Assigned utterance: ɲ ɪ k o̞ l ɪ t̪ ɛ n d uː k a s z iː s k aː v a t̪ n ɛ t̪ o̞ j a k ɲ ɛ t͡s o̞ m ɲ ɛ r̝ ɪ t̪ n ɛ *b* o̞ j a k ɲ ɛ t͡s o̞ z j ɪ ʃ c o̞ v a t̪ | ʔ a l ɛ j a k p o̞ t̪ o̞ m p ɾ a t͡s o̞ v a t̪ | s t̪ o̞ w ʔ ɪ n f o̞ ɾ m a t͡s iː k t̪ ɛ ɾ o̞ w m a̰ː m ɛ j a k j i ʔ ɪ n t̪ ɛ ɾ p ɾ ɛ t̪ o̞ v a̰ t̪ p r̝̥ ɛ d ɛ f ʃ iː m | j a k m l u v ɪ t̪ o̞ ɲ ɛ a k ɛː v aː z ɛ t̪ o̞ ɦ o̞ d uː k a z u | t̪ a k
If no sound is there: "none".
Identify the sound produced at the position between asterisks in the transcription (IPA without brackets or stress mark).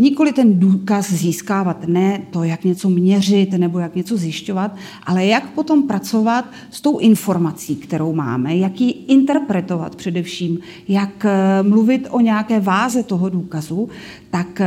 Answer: b